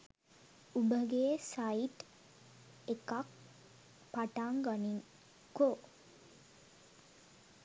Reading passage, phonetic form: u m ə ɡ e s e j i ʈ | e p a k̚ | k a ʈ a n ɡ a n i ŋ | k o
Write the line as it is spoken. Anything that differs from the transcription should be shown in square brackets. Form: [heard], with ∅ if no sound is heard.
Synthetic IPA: u [b] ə ɡ e s [a] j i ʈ | e [k] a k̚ | [p] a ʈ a [ŋ] ɡ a n i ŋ | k o